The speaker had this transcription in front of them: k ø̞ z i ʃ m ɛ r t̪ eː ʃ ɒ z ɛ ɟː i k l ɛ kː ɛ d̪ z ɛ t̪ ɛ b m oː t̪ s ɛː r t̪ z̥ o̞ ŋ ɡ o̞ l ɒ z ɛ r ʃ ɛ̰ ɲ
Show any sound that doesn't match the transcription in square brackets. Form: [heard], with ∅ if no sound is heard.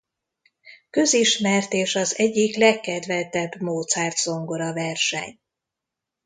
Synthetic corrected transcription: k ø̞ z i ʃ m ɛ r t̪ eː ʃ ɒ z ɛ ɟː i k l ɛ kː ɛ d̪ [v] ɛ t̪ ɛ b m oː t̪ s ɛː r t̪ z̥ o̞ ŋ ɡ o̞ [ɾ] ɒ [v] ɛ r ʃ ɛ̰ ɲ